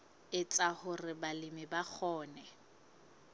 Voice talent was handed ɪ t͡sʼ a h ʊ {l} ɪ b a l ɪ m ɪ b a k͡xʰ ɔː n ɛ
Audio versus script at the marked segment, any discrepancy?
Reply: yes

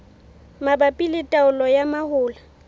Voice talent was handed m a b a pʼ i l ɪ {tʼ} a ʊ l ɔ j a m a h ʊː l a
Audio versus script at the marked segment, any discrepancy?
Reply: no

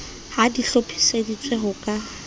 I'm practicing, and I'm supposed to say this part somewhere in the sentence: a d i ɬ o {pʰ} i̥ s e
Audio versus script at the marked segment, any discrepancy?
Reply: no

